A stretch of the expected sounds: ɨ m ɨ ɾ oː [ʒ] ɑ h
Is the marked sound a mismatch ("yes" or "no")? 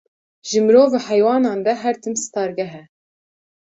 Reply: yes